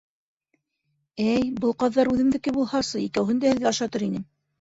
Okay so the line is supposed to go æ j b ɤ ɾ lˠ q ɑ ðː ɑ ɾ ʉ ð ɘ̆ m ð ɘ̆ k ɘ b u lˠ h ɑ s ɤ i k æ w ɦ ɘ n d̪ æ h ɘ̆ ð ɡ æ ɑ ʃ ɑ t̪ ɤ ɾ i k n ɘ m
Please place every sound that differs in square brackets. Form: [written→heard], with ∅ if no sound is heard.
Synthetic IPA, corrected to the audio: æ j b ɤ [ɾ→∅] lˠ q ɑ ðː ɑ ɾ ʉ ð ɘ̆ m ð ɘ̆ k ɘ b u lˠ h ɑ s ɤ i k æ w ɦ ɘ n d̪ æ h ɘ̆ ð ɡ æ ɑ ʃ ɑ t̪ ɤ ɾ i [k→∅] n ɘ m